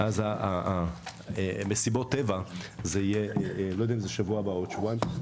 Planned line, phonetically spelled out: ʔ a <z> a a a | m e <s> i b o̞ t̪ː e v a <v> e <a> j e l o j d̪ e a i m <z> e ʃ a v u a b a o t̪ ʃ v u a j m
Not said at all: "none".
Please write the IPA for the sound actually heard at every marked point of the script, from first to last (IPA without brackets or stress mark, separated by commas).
z, s, z, i, z